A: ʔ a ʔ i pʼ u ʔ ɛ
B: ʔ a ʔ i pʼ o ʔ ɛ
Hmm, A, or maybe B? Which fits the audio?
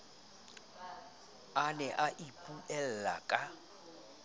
A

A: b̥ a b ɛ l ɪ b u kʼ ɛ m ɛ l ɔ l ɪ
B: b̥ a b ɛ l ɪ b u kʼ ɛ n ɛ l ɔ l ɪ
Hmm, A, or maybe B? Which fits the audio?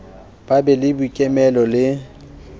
A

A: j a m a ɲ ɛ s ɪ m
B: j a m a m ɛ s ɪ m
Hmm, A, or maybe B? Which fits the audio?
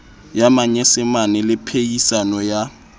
A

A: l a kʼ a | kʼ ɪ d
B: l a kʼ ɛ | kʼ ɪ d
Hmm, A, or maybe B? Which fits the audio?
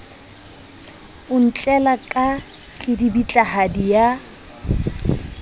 A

